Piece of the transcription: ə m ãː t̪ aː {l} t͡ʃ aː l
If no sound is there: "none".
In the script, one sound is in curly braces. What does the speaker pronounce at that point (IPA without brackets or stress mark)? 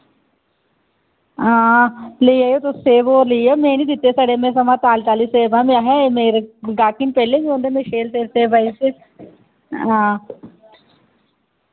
l